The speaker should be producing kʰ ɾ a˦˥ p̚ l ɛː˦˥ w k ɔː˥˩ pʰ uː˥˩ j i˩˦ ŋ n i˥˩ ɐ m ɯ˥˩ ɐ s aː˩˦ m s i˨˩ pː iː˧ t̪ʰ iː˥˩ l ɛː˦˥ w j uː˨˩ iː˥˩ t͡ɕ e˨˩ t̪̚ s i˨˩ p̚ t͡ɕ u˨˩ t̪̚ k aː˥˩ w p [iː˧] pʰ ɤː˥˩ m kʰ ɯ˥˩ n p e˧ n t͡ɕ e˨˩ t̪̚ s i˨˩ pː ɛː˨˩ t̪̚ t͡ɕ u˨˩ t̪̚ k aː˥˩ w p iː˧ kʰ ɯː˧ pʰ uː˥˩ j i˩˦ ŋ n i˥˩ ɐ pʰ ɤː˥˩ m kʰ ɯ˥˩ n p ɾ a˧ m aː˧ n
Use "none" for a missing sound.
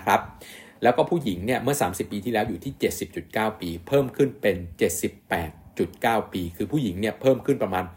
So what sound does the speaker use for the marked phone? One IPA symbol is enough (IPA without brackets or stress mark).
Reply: iː˧